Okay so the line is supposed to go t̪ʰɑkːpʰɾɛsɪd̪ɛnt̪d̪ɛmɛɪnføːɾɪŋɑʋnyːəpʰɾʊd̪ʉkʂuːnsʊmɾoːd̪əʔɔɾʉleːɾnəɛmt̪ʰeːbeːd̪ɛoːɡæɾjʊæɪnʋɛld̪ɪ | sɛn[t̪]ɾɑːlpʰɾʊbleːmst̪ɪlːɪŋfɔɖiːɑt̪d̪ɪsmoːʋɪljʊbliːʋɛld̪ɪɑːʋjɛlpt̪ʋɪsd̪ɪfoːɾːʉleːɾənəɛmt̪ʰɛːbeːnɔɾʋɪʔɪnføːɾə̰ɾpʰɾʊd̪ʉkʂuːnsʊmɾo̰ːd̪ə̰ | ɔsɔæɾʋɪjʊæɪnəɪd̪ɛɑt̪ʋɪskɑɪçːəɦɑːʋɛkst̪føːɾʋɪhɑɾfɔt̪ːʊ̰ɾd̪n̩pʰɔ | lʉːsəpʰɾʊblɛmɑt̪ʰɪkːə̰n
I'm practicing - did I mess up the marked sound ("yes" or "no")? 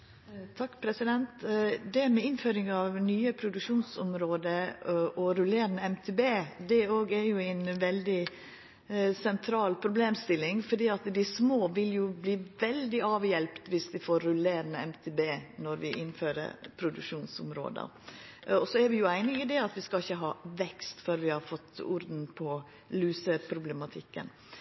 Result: yes